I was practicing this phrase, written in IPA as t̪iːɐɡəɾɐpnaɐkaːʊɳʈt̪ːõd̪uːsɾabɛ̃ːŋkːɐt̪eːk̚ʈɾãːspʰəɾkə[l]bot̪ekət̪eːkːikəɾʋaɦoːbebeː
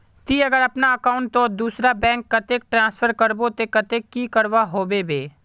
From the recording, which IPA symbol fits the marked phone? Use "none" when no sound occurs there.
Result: ɾ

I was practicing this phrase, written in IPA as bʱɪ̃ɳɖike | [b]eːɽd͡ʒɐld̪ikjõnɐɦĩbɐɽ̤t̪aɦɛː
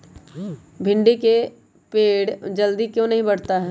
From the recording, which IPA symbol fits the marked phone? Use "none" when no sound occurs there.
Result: p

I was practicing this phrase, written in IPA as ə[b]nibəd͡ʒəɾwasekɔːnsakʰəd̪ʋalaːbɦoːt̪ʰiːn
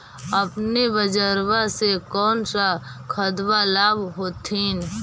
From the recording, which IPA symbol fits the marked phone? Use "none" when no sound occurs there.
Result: p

